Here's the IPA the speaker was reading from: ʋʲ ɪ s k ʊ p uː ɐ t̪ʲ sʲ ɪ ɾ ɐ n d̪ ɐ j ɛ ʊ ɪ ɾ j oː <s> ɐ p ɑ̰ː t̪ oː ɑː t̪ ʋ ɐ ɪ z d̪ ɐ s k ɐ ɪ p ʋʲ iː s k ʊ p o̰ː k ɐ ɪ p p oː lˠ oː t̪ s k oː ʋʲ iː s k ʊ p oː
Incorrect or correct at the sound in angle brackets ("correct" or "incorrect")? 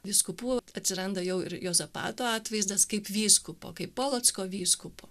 incorrect